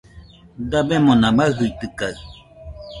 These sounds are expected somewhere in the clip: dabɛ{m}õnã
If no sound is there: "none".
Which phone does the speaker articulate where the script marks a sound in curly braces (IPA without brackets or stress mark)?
m